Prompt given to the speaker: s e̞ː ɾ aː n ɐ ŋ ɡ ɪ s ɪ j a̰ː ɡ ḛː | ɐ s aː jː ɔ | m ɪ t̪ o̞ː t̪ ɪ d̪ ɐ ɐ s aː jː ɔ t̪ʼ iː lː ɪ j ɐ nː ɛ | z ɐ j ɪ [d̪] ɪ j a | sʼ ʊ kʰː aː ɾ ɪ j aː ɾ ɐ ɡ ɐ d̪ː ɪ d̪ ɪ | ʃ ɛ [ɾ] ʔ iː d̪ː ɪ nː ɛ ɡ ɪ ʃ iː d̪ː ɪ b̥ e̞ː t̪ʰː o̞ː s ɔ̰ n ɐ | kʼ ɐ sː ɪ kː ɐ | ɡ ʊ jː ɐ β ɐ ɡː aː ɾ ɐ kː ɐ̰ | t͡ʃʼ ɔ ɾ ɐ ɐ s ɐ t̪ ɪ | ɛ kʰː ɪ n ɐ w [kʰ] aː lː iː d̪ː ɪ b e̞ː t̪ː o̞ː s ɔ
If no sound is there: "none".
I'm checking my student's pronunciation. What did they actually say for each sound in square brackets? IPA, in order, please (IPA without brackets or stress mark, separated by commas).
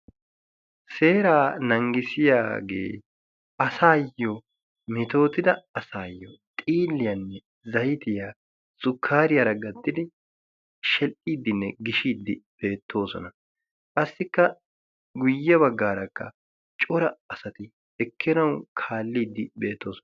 t̪, l, kʰ